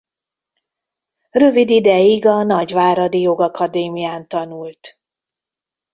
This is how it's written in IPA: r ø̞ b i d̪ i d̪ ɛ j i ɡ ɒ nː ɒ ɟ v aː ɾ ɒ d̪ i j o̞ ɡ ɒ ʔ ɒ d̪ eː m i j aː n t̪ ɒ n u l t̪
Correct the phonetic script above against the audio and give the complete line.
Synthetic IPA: r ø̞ v i d̪ i d̪ ɛ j i ɡ ɒ n ɒ ɟ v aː ɾ ɒ d̪ i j o̞ ɡ ɒ k ɒ d̪ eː m i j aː n t̪ ɒ n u l t̪